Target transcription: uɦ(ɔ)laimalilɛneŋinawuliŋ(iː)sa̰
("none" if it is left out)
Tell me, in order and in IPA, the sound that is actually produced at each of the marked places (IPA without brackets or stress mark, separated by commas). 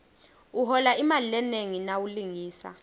ɔ, iː